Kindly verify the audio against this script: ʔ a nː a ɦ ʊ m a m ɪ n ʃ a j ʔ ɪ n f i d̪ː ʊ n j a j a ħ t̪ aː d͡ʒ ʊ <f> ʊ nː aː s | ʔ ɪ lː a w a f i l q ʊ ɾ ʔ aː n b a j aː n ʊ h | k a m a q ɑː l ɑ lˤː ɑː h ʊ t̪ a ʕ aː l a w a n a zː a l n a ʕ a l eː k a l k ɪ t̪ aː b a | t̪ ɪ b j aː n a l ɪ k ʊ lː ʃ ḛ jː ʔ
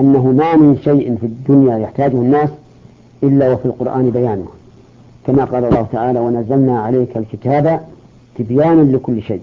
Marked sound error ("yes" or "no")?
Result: yes